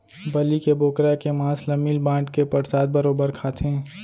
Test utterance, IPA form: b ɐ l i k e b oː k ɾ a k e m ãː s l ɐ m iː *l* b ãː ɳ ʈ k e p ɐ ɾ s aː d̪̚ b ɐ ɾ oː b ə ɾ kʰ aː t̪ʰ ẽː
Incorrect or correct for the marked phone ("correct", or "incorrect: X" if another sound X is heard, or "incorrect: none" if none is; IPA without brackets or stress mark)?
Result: correct